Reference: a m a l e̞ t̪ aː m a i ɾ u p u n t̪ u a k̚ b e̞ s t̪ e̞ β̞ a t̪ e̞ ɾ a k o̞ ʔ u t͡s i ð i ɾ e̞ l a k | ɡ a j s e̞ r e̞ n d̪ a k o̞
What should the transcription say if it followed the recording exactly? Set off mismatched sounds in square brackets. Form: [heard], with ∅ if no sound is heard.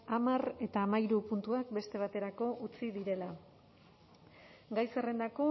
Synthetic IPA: a m a [r] e̞ t̪ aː m a i ɾ u p u n t̪ u a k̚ b e̞ s t̪ e̞ β̞ a t̪ e̞ ɾ a k o̞ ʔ u t͡s i ð i ɾ e̞ l a [∅] | ɡ a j s e̞ r e̞ n d̪ a k o̞

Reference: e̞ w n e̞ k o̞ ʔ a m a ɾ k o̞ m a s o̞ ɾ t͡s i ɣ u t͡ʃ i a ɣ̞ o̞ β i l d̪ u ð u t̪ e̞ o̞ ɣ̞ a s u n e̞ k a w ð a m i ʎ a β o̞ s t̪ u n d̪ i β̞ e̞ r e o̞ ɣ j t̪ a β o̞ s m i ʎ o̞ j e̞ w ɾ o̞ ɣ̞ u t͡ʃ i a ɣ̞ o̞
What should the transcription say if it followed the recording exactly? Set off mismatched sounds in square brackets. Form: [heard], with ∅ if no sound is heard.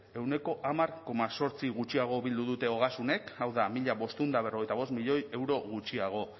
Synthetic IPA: e̞ w n e̞ k o̞ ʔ a m a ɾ k o̞ m a s o̞ ɾ t͡s i ɣ u t͡ʃ i a ɣ̞ o̞ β i l d̪ u ð u t̪ e̞ o̞ ɣ̞ a s u n e̞ k a w ð a m i ʎ a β o̞ s t̪ u n d̪ [a] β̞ e̞ r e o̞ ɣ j t̪ a β o̞ s m i ʎ o̞ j e̞ w ɾ o̞ ɣ̞ u t͡ʃ i a ɣ̞ o̞

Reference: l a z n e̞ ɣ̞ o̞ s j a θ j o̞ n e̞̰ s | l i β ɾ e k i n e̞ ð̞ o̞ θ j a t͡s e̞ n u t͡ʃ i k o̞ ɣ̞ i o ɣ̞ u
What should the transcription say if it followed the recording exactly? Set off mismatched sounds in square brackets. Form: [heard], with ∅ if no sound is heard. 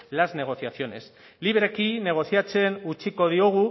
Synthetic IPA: l a z n e̞ ɣ̞ o̞ [θ] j a θ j o̞ n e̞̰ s | l i β ɾ e k i n e̞ [ɣ̞] o̞ θ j a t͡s e̞ n u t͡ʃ i k o̞ [ð̞] i o ɣ̞ u

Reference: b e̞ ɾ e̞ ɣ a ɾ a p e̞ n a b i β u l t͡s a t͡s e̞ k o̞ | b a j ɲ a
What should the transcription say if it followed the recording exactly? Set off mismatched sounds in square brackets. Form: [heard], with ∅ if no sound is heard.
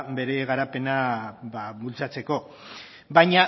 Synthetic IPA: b e̞ ɾ e̞ ɣ a ɾ a p e̞ n a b [a] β u l t͡s a t͡s e̞ k o̞ | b a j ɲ a

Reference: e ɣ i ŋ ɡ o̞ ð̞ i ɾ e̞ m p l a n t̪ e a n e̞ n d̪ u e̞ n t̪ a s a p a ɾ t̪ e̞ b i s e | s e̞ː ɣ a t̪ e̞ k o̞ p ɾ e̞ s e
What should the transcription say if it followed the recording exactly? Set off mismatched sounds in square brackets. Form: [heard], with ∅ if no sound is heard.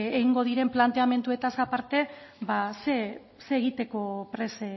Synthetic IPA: e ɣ i ŋ ɡ o̞ ð̞ i ɾ e̞ m p l a n t̪ e a [m] e̞ n [t̪] u e̞ [∅] t̪ a s a p a ɾ t̪ e̞ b [a] s e | s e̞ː ɣ [i] t̪ e̞ k o̞ p ɾ e̞ s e

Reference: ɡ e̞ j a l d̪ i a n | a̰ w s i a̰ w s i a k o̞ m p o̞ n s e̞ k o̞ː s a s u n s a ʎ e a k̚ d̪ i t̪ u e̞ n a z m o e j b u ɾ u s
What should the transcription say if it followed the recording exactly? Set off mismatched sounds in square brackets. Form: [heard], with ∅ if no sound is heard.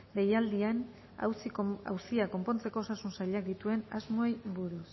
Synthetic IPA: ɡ e̞ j a l d̪ i a n | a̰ w s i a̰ w s i a k o̞ m p o̞ n [t͡s] e̞ k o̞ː s a s u n s a ʎ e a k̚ d̪ i t̪ u e̞ n a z m o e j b u ɾ u s

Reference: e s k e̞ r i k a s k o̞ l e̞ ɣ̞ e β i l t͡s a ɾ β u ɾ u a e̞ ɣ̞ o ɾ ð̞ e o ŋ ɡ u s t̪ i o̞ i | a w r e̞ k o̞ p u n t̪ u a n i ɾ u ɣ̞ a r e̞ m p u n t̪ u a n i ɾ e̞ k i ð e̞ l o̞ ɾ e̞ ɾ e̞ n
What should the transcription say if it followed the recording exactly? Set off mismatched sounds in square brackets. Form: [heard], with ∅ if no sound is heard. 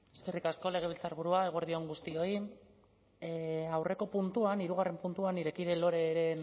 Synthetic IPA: e s k e̞ r i k a s k o̞ l e̞ ɣ̞ e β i l t͡s a ɾ β u ɾ u a e̞ ɣ̞ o ɾ ð̞ [i] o ŋ ɡ u s t̪ i o̞ i | a w r e̞ k o̞ p u n t̪ u a n i ɾ u ɣ̞ a r e̞ m p u n t̪ u a n i ɾ e̞ k i ð e̞ l o̞ ɾ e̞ ɾ e̞ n

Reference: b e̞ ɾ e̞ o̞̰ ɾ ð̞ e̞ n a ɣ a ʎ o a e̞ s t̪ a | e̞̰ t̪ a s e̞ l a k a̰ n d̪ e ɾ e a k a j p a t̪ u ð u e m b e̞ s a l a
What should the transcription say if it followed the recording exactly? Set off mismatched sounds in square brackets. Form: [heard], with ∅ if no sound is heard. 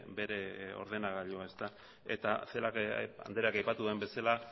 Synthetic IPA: b e̞ ɾ e̞ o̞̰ ɾ ð̞ e̞ n a ɣ a ʎ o a e̞ s t̪ a | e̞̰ t̪ a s e̞ l a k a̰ n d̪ e ɾ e a k a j p a t̪ u ð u e m b e̞ s a l a

